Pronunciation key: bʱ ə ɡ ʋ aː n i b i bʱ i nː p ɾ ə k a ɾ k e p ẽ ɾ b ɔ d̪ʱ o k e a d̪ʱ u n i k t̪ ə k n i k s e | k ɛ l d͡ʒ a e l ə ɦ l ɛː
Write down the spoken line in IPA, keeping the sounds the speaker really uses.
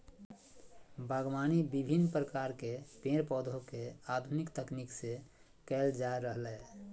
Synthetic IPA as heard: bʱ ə ɡ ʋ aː n i b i bʱ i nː p ɾ ə k a ɾ k e p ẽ ɾ p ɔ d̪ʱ o k e a d̪ʱ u n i k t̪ ə k n i k s e | k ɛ l d͡ʒ a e ɾ ə ɦ l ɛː